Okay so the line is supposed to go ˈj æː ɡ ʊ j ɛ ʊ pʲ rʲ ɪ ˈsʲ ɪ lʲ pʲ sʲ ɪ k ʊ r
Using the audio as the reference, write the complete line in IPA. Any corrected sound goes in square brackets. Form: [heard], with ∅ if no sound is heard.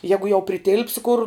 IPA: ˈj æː ɡ ʊ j ɛ ʊ pʲ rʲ ɪ [ˈtʲ] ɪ lʲ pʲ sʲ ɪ k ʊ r